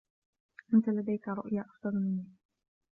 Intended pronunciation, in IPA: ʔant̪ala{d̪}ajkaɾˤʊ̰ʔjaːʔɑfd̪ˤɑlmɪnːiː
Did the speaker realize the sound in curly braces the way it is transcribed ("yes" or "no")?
yes